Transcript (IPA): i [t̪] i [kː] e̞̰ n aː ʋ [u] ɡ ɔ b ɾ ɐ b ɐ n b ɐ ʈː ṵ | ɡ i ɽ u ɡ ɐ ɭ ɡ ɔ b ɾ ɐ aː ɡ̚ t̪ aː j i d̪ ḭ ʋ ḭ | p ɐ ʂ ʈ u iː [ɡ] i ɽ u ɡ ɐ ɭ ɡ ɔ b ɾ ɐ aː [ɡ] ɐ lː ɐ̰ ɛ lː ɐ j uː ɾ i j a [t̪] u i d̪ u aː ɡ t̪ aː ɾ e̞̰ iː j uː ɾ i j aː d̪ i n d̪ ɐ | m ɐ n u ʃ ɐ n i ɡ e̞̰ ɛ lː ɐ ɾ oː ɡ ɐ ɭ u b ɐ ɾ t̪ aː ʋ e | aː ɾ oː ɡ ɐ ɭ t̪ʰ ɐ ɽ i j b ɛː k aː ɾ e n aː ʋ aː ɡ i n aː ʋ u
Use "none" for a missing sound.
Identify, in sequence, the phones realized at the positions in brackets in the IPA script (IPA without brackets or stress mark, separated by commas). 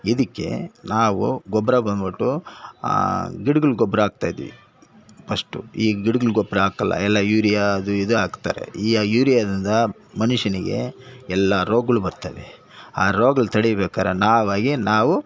d̪, kː, u, ɡ, k, d̪